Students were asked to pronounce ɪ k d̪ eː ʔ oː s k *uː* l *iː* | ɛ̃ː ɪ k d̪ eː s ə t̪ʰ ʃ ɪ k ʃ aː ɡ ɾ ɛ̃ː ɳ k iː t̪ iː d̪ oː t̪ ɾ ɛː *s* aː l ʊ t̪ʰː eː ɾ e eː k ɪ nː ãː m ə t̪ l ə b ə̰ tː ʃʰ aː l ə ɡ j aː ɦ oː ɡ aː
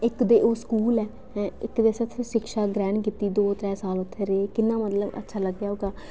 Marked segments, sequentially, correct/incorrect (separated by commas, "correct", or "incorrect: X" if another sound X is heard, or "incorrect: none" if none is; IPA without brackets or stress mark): correct, incorrect: ɛː, correct